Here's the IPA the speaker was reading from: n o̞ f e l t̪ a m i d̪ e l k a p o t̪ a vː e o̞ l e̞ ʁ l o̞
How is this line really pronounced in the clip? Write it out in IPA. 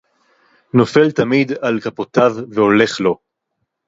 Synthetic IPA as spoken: n o̞ f e l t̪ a m i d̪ a l k a p o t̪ a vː e o̞ l e̞ χ l o̞